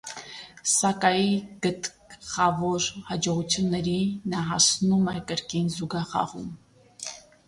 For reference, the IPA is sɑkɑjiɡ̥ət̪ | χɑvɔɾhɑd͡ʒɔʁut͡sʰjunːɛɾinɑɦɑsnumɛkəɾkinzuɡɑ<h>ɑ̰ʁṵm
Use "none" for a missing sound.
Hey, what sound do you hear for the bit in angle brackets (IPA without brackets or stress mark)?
χ